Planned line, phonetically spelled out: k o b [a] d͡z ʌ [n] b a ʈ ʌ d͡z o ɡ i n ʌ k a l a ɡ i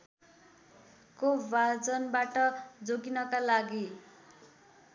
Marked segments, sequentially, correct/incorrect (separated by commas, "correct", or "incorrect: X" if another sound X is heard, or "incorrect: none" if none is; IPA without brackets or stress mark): correct, correct